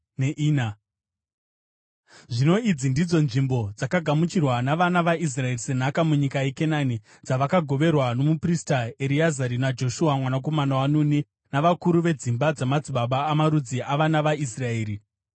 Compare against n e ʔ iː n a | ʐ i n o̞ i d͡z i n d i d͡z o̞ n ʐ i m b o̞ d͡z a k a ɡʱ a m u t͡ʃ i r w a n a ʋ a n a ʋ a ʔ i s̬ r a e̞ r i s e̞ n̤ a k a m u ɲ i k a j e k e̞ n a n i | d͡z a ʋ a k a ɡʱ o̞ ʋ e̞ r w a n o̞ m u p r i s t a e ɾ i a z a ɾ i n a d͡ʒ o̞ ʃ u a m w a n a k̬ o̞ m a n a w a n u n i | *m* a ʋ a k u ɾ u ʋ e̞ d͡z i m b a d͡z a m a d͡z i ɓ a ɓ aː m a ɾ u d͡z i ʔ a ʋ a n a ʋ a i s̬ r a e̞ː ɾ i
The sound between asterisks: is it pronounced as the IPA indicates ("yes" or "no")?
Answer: no